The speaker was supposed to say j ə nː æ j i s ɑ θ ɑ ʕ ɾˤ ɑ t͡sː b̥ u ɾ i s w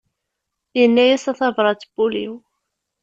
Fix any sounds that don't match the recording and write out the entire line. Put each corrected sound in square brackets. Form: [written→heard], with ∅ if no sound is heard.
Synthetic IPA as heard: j ə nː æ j [i→æ] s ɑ θ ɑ [ʕ→v] ɾˤ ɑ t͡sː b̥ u [ɾ→l] i [s→∅] w